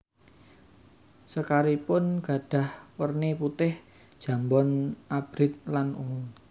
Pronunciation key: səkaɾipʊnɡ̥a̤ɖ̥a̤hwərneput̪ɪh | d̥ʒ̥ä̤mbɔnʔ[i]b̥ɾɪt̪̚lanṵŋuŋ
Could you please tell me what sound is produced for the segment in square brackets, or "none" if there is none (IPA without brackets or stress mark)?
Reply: a